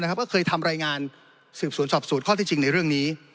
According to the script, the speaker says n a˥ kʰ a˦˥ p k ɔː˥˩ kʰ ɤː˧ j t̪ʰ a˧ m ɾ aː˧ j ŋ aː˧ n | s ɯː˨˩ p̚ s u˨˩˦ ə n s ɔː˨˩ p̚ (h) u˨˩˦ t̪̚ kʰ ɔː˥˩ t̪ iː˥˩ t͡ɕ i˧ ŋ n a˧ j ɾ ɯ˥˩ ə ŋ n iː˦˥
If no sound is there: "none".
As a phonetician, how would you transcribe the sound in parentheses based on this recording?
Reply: s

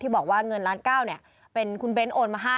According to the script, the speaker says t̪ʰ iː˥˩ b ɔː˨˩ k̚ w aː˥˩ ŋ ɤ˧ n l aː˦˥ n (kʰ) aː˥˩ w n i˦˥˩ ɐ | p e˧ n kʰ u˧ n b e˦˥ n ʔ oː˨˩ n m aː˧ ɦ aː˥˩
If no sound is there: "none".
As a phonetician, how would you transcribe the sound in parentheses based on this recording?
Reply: k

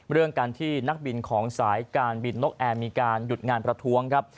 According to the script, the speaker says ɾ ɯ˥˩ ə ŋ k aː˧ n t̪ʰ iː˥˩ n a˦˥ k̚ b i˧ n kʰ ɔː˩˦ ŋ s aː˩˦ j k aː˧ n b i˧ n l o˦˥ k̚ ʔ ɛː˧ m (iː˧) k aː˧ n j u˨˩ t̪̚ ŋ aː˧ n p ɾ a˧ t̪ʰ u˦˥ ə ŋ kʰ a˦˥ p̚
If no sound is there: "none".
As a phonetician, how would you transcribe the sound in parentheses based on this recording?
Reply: iː˧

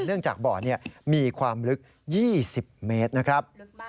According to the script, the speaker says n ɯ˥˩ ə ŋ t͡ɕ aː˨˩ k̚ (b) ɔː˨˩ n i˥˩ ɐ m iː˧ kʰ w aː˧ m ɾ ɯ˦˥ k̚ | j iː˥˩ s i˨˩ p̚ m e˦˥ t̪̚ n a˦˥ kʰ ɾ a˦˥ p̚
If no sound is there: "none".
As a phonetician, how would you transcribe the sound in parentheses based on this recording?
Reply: b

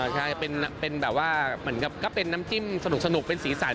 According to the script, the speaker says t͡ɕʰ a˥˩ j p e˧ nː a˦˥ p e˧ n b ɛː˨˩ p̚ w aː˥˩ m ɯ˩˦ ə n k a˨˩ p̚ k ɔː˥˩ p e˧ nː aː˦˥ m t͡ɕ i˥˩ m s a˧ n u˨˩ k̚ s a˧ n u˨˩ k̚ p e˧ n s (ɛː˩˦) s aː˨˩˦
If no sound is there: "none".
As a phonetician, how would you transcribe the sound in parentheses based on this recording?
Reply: iː˩˦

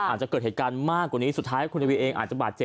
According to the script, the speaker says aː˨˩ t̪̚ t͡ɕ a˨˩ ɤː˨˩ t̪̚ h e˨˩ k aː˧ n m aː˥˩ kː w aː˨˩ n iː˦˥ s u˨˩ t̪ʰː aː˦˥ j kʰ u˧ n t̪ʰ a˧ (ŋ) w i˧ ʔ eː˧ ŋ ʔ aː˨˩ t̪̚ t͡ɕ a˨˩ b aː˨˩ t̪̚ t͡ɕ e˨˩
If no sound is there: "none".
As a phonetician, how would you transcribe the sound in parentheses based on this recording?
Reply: none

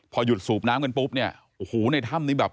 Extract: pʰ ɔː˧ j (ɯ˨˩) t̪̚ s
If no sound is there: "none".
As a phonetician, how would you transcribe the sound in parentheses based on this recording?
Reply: u˨˩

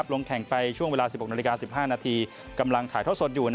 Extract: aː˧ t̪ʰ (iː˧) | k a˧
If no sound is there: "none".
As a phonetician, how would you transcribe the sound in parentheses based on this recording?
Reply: iː˧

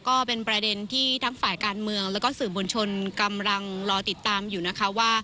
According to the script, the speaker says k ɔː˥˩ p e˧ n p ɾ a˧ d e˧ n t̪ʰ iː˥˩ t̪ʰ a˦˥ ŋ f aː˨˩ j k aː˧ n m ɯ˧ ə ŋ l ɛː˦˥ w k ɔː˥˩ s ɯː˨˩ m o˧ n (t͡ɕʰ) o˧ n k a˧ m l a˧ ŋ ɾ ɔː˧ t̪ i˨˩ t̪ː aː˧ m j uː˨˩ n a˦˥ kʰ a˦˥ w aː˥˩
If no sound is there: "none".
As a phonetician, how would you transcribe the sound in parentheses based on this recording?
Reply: t͡ɕʰ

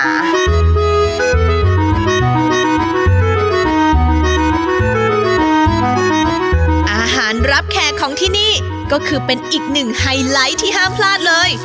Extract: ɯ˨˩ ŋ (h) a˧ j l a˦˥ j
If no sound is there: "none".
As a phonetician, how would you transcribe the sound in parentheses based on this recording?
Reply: h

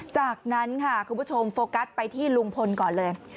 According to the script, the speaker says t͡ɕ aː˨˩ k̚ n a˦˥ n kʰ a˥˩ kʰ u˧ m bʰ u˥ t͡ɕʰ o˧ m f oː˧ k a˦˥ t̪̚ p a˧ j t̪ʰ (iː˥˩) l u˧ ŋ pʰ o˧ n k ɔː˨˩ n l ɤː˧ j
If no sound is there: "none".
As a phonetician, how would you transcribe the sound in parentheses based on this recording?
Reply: iː˥˩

